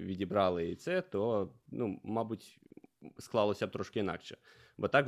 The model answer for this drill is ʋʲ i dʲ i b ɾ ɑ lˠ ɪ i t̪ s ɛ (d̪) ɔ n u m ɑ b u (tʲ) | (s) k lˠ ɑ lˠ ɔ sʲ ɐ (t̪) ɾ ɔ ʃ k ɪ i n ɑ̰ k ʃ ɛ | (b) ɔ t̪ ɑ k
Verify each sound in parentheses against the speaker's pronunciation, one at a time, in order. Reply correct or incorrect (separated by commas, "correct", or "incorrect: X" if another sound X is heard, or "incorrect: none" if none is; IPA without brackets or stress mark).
incorrect: t̪, correct, correct, correct, correct